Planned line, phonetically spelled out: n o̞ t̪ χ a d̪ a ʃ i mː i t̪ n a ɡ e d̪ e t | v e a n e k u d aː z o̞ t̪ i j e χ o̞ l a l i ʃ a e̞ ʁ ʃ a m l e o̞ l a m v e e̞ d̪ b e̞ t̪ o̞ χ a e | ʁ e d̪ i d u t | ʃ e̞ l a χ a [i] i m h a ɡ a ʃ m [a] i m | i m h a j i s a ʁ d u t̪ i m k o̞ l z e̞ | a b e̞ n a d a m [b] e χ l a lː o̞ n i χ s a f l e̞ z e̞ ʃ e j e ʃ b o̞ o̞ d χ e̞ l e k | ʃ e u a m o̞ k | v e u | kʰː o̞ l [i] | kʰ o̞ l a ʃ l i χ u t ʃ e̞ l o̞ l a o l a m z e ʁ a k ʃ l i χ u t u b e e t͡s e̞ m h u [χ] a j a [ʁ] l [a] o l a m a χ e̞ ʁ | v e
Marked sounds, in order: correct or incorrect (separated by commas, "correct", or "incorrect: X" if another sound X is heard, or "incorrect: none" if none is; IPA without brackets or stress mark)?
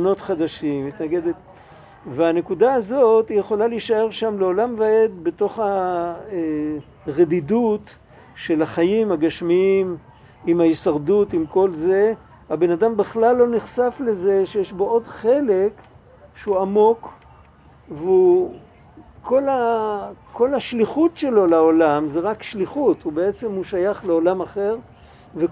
incorrect: j, incorrect: i, correct, incorrect: a, incorrect: ʃ, incorrect: χ, incorrect: e